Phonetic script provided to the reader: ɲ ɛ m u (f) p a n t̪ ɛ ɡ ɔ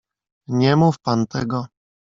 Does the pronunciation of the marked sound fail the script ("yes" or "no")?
no